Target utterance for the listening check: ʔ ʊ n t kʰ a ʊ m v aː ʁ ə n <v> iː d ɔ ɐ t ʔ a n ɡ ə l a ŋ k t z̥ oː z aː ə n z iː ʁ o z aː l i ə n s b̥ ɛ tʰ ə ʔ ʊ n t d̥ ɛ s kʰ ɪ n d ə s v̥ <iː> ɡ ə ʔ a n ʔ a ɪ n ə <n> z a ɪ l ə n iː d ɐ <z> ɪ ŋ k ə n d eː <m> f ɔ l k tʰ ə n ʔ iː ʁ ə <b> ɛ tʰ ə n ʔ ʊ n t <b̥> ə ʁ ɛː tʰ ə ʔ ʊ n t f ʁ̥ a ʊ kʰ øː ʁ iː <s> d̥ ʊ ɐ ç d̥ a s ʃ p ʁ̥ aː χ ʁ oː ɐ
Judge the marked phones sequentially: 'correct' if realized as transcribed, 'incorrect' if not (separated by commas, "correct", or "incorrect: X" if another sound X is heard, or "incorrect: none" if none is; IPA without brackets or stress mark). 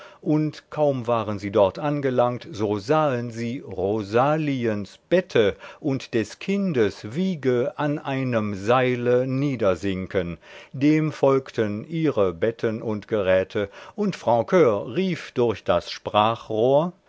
incorrect: z, correct, incorrect: m, correct, correct, correct, incorrect: ɡ̥, incorrect: f